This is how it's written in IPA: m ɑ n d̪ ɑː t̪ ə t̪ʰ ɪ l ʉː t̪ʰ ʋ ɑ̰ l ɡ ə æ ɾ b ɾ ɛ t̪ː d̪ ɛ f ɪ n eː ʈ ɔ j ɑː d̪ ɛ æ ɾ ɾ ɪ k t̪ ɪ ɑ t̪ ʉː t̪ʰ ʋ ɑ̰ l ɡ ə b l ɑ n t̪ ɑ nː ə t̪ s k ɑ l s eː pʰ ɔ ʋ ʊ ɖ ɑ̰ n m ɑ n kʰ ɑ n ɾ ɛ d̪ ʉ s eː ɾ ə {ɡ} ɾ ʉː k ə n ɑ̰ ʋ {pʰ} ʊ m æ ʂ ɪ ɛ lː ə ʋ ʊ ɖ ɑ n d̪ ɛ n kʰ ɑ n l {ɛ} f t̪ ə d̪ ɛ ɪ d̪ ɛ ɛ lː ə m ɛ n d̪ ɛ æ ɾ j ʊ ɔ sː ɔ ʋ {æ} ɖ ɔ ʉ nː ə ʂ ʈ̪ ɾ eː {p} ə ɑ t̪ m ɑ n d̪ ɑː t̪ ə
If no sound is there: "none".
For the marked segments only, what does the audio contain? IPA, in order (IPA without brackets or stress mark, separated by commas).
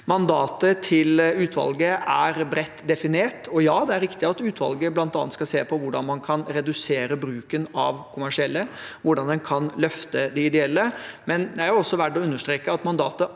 b, kʰ, œ, æ, k